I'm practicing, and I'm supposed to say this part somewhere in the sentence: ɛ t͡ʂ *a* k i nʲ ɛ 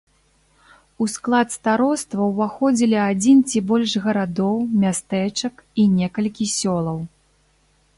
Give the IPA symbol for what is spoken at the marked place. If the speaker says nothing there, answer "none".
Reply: ɐ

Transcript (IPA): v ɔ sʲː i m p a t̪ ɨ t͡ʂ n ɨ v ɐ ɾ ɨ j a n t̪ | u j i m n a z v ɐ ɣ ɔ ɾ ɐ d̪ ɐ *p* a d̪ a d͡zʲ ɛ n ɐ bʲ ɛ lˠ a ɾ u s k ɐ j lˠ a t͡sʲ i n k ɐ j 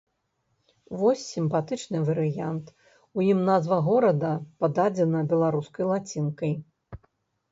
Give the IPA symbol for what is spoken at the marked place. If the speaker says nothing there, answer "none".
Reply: p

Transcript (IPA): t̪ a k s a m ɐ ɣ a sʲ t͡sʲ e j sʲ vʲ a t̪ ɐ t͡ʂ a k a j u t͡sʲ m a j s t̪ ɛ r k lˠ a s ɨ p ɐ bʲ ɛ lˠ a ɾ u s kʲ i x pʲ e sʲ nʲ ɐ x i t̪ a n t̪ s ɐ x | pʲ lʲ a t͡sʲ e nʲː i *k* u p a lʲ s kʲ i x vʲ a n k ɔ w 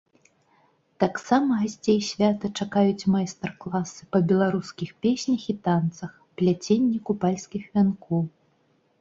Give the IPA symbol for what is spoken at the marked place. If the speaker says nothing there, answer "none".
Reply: k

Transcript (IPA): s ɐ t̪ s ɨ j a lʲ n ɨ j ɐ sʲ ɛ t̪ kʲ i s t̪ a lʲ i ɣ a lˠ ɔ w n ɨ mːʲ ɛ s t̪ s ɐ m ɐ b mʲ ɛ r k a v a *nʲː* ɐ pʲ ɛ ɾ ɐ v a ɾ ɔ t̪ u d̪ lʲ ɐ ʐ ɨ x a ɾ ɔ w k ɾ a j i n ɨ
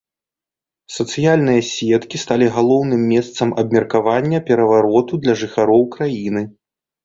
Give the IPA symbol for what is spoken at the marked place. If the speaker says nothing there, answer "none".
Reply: nʲː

